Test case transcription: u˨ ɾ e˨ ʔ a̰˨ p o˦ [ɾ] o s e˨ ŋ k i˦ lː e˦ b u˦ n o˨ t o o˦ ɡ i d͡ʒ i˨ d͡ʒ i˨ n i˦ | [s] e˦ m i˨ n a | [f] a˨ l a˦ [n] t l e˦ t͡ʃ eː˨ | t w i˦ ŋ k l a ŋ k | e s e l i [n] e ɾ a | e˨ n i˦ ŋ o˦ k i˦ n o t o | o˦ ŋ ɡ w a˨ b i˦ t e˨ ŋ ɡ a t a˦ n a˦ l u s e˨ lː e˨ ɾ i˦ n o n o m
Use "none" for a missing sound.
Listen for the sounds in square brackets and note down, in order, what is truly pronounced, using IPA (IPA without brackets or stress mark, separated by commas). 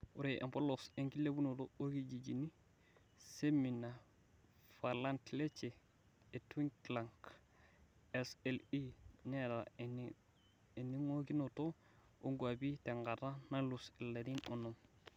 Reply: l, s, f, n, n